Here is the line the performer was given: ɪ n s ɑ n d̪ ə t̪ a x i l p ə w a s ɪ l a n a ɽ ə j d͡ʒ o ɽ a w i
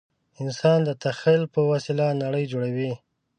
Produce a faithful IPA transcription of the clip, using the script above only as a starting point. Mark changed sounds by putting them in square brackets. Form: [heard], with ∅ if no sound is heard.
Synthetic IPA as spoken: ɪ n s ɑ n d̪ ə t̪ a x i l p ə w a s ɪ l a n a ɽ ə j d͡ʒ o ɽ a w i